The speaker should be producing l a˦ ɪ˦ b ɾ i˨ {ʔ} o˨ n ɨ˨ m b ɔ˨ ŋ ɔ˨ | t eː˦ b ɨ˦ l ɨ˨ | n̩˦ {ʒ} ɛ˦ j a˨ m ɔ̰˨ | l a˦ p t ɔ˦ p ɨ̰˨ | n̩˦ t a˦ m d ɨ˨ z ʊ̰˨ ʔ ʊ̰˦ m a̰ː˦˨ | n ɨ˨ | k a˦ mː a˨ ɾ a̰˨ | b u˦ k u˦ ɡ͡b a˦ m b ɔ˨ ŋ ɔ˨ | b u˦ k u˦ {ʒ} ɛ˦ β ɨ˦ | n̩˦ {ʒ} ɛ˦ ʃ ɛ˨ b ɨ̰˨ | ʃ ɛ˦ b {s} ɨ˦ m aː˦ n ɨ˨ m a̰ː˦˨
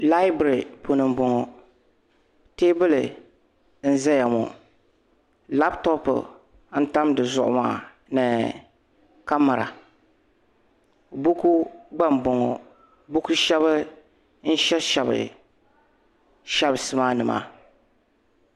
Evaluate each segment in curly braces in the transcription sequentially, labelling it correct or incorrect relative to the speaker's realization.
incorrect: p, incorrect: z, incorrect: ʃ, incorrect: ʃ, correct

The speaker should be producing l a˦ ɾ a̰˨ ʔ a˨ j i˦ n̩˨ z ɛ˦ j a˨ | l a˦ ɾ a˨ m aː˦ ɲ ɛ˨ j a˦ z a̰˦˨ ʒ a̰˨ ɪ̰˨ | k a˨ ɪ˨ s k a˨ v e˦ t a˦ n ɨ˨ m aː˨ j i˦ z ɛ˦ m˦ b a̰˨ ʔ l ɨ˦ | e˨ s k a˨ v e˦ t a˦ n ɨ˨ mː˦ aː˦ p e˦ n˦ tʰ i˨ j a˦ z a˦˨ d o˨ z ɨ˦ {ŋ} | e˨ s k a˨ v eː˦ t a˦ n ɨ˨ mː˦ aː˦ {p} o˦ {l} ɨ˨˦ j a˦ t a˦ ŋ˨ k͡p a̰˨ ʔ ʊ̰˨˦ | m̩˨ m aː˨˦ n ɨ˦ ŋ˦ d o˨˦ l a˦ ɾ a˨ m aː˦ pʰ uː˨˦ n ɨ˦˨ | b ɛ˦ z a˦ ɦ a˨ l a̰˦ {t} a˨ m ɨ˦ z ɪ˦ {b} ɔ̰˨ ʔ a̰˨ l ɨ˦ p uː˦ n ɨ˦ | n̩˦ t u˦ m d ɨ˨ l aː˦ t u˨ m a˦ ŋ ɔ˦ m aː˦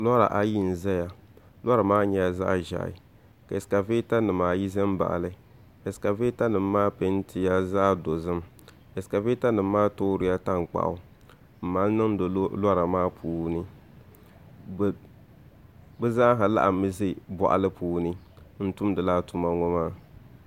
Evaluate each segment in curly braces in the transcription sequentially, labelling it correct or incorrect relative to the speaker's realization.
incorrect: m, incorrect: t, incorrect: ɾ, incorrect: ʔ, correct

